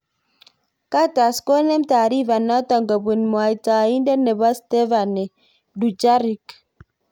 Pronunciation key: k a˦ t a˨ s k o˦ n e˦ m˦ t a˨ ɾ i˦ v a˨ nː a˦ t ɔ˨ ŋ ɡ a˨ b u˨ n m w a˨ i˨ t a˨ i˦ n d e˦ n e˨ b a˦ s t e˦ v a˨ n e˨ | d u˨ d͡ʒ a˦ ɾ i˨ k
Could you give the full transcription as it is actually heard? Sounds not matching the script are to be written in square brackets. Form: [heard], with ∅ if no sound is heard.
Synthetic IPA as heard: k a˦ t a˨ s k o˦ n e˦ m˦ t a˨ ɾ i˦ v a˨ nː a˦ t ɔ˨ ŋ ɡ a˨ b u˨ n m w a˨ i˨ t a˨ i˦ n d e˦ n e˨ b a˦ s t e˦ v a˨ n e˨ | d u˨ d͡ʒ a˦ ɾ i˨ k